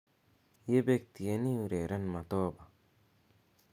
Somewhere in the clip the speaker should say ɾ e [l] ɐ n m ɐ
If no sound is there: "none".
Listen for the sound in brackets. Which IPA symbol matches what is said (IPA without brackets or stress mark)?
ɾ